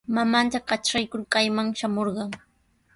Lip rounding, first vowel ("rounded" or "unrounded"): unrounded